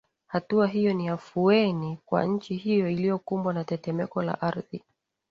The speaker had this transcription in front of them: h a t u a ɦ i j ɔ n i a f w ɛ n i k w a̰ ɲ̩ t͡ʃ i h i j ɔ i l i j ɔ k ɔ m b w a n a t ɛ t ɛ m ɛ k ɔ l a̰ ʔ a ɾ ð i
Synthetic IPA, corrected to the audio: h a t u a ɦ i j ɔ n i a f u ɛ n i k w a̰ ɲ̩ t͡ʃ i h i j ɔ i l i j ɔ k u m b w a n a t ɛ t ɛ m ɛ k ɔ l a̰ ʔ a ɾ ð i